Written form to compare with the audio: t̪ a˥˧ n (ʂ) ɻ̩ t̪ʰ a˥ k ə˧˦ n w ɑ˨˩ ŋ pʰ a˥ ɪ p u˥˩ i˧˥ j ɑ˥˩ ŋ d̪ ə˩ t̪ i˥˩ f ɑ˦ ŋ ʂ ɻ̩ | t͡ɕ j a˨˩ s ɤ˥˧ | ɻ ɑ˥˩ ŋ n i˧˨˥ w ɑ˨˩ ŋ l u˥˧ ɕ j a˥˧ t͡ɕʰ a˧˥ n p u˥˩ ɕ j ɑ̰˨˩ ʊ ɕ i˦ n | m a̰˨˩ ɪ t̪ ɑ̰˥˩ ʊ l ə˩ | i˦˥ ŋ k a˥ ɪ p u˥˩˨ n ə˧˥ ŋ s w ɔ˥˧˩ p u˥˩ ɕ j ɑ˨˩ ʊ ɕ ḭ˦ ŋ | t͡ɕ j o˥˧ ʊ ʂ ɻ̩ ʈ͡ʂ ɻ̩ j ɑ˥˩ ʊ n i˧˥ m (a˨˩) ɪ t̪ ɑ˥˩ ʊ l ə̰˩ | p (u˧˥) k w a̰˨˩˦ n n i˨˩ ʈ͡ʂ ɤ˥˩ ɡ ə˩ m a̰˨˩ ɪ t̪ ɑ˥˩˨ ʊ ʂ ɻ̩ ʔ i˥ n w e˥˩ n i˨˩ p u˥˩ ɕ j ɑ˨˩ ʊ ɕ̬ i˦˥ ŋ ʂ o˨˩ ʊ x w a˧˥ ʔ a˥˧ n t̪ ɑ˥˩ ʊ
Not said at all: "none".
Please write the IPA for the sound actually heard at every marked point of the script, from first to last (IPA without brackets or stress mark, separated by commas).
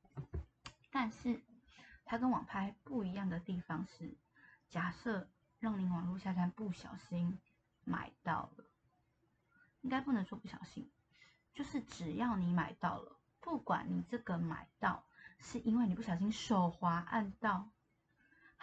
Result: ʂ, a˨˩, u˥˩